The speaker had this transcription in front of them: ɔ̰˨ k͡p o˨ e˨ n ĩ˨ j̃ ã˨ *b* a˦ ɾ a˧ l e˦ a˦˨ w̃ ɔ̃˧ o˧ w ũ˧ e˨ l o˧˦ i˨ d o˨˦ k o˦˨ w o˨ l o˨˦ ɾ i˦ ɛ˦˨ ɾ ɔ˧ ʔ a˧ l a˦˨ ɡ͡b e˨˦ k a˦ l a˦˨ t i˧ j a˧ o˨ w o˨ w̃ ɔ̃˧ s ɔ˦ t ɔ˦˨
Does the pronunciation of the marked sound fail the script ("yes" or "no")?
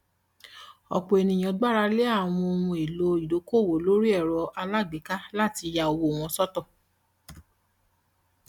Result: yes